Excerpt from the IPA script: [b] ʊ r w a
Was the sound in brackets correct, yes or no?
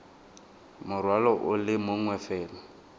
no